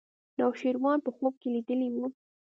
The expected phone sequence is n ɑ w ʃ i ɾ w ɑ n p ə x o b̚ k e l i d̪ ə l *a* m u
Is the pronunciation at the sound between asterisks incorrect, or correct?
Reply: incorrect